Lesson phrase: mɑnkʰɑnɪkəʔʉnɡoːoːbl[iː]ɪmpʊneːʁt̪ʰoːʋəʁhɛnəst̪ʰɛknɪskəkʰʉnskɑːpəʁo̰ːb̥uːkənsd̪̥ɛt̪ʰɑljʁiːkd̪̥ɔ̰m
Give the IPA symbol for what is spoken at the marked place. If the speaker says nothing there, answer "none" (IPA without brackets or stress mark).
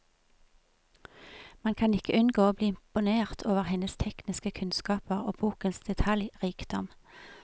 iː